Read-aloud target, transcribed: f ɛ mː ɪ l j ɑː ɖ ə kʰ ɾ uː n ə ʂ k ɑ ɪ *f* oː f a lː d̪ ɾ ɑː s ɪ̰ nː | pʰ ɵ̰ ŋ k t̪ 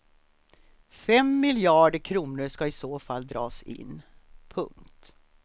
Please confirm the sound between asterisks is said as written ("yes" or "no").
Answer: no